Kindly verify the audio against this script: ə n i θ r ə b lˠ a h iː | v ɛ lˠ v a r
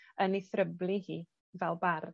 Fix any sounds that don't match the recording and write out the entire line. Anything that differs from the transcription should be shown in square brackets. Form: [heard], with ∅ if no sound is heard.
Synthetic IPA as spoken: ə n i θ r ə b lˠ [i] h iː | v ɛ lˠ [b] a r